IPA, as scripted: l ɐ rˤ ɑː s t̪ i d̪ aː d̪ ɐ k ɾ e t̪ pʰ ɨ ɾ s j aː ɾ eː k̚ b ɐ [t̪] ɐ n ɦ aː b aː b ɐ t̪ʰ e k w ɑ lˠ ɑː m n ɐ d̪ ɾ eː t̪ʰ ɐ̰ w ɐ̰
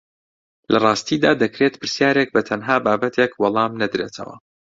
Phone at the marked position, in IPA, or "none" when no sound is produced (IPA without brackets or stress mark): t̪ʰ